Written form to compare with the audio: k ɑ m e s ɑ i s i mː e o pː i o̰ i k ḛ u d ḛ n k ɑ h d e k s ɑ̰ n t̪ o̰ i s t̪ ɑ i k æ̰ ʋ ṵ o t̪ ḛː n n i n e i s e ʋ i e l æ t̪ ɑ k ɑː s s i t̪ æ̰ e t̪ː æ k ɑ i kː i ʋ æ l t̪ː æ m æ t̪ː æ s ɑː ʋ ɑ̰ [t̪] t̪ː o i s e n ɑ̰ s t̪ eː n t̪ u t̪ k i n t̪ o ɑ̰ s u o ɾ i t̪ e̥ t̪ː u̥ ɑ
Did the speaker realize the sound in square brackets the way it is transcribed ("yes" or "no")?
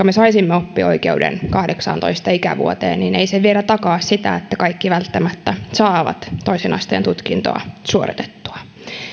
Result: yes